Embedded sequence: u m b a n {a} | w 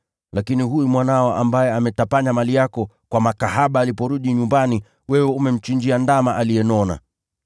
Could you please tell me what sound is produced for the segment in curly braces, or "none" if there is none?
i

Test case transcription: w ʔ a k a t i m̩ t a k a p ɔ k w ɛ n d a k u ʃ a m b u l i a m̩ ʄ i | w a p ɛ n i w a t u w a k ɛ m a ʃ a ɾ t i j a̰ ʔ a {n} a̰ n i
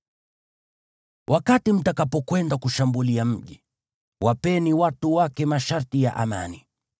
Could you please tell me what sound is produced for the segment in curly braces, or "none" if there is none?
m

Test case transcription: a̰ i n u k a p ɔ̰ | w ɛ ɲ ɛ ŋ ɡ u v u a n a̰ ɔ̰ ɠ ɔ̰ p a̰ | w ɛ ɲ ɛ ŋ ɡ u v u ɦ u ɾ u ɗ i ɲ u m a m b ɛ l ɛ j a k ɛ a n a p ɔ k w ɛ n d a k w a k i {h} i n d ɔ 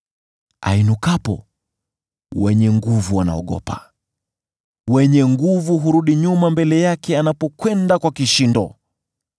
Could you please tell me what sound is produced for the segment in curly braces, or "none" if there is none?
ʃ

